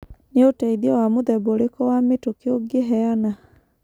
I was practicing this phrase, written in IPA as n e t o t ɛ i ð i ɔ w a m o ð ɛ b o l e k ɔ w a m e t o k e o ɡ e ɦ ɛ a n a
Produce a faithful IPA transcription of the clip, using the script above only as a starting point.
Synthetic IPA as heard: n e o t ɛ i ð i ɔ w a m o ð ɛ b o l e k ɔ w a m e t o k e o ɡ e ɦ ɛ a n a